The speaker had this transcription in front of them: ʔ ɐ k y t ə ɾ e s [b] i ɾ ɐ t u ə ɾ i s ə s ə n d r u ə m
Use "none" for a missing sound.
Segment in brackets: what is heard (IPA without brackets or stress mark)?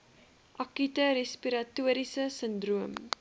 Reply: p